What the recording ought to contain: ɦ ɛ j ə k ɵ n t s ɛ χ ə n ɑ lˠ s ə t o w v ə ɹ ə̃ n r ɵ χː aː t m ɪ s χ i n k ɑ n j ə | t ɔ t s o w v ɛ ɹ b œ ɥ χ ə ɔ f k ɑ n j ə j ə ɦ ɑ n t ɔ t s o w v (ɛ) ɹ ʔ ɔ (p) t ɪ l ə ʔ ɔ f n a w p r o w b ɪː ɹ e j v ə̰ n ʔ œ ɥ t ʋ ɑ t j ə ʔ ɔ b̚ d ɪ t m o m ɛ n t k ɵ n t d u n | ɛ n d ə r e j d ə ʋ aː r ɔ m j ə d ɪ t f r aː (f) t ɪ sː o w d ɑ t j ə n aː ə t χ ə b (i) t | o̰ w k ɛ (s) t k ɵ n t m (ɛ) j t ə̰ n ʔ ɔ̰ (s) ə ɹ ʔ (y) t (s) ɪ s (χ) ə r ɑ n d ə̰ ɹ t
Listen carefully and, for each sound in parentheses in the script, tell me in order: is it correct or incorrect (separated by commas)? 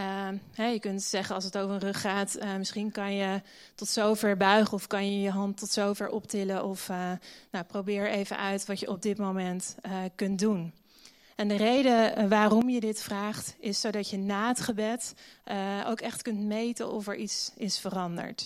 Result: correct, correct, incorrect, incorrect, incorrect, incorrect, incorrect, incorrect, correct, incorrect